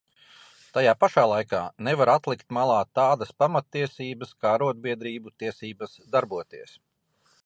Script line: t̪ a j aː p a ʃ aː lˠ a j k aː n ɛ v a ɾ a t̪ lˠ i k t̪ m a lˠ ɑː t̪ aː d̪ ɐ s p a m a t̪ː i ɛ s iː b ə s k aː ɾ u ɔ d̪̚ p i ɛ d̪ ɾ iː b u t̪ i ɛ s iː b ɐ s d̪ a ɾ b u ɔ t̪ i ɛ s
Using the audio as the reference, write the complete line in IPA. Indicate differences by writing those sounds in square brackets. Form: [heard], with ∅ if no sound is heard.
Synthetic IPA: t̪ a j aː p a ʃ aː lˠ a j k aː n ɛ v a ɾ a t̪ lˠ i k t̪ m a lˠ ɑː t̪ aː d̪ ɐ s p a m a t̪ː i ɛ s iː b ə s k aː ɾ u ɔ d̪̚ [b] i ɛ d̪ ɾ iː b u t̪ i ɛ s iː b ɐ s d̪ a ɾ b u ɔ t̪ i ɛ s

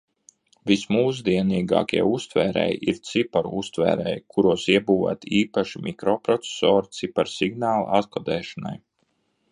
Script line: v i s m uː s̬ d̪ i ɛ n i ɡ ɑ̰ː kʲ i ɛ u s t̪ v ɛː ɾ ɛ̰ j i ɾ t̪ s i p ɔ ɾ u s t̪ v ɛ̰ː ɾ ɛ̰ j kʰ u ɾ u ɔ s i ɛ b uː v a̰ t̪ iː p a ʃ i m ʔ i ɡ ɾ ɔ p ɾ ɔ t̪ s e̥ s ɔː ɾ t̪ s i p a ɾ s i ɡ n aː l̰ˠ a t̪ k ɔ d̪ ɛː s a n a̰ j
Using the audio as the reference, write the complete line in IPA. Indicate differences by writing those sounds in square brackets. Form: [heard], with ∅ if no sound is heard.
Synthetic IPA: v i s m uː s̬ d̪ i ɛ n [iː] ɡ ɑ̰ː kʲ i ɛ u s t̪ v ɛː ɾ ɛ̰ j i ɾ t̪ s i p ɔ ɾ u s t̪ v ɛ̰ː ɾ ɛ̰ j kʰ u ɾ u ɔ s i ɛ b uː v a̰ t̪ iː p a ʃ i m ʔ i [k] ɾ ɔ p ɾ ɔ t̪ s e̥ s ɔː ɾ t̪ s i p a ɾ s i ɡ n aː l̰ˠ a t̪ k ɔ d̪ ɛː [ʃ] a n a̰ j

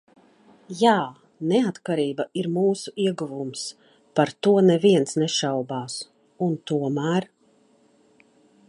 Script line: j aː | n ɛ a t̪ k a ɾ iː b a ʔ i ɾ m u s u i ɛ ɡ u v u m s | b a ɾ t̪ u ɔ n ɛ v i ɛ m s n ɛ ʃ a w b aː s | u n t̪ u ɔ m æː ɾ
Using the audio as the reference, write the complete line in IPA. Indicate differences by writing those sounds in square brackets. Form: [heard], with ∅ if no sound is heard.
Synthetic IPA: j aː | n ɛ a t̪ k a ɾ iː b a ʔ i ɾ m [uː] s u i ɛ ɡ u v u m s | [p] a ɾ t̪ u ɔ n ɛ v i ɛ [n] s n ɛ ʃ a w b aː s | u n t̪ u ɔ m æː ɾ

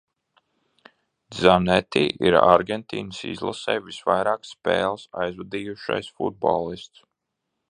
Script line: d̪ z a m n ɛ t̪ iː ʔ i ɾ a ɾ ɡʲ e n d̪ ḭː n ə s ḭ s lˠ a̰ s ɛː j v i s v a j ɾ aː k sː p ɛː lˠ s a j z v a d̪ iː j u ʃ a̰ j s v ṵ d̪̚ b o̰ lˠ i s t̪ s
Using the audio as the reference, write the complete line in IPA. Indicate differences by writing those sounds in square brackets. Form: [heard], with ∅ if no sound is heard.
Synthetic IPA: d̪ z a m n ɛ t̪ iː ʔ i ɾ a ɾ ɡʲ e n [t̪] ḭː n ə s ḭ [z] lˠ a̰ s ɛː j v i s v a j ɾ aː k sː p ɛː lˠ s a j z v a d̪ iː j u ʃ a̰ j s [f] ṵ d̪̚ b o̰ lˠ i s t̪ s

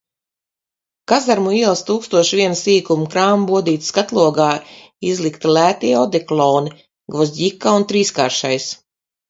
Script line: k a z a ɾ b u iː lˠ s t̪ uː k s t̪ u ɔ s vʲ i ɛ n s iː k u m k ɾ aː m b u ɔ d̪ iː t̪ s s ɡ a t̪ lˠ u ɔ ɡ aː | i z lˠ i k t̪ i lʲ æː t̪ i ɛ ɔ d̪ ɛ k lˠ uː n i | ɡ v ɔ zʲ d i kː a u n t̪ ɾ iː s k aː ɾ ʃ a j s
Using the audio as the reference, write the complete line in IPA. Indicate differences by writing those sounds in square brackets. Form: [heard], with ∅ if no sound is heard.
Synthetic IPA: k a z a ɾ [m] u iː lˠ s t̪ uː k s t̪ u ɔ [ʃ] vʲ i ɛ n s iː k u m k ɾ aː m b u ɔ d̪ iː t̪ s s [k] a t̪ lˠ u ɔ ɡ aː | i z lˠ i k t̪ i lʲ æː t̪ i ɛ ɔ d̪ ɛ k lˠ [ɔː] n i | ɡ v ɔ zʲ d i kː a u n t̪ ɾ iː s k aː ɾ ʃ a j s

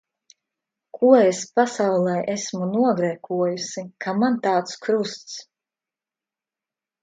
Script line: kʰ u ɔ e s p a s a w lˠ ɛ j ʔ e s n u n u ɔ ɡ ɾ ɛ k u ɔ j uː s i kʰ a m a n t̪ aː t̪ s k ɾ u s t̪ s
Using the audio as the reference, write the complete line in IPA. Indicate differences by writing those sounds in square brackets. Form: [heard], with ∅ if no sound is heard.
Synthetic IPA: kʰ u ɔ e s p a s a w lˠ ɛ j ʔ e s [m] u n u ɔ ɡ ɾ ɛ k u ɔ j [u] s i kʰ a m a n t̪ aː t̪ s k ɾ u s t̪ s

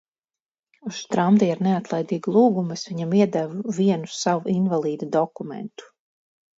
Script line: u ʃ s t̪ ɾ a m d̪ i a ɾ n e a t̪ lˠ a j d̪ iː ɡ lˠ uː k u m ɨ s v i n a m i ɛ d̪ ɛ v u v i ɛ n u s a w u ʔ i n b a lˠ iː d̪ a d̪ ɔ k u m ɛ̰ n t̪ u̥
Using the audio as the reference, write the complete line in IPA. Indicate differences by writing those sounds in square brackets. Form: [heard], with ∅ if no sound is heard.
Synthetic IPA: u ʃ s t̪ ɾ a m d̪ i a ɾ n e a t̪ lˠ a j d̪ iː ɡ lˠ uː [ɡ] u m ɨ s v i [ɲ] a m i ɛ d̪ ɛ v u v i ɛ n u s a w u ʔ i n [v] a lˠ iː d̪ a d̪ ɔ k u m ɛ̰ n t̪ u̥

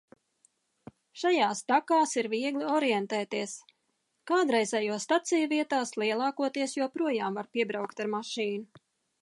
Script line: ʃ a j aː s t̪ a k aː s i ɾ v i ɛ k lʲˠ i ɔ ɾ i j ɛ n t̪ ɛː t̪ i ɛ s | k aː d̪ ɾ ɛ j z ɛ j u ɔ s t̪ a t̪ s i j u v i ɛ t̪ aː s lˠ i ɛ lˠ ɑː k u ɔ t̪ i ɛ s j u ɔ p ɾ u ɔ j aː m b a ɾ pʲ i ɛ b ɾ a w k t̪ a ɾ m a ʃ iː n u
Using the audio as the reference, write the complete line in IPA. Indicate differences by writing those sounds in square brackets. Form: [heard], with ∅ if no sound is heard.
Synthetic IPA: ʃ a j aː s t̪ a k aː s i ɾ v i ɛ [ɡ] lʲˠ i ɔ ɾ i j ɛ n t̪ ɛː t̪ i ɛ s | k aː d̪ ɾ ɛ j z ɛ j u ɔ s t̪ a t̪ s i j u v i ɛ t̪ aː s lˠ i ɛ lˠ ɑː k u ɔ t̪ i ɛ s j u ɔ p ɾ u ɔ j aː m [v] a ɾ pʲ i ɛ b ɾ a w k t̪ a ɾ m a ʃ iː n u

